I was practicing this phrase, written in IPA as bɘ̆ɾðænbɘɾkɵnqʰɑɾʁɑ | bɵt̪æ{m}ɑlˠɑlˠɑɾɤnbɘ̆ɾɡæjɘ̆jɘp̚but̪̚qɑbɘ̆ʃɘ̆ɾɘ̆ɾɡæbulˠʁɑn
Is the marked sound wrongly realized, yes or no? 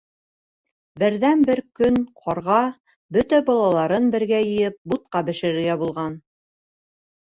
yes